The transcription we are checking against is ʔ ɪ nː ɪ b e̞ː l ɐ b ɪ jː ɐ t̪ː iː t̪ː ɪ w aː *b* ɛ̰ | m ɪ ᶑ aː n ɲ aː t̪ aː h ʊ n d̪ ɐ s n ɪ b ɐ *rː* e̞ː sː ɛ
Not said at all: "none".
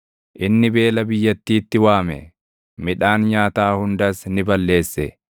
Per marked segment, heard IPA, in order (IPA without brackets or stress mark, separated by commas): m, lː